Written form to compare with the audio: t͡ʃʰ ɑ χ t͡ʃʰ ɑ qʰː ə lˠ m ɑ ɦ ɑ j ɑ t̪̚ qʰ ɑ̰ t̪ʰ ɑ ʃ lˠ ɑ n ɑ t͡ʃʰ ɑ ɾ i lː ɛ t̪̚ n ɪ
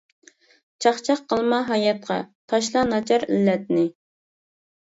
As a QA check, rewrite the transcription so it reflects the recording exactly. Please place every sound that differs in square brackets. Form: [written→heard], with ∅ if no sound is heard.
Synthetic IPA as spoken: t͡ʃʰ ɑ χ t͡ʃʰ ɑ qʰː ə lˠ m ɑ ɦ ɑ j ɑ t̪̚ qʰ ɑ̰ t̪ʰ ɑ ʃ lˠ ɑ n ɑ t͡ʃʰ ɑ ɾ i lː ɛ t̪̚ n ɪ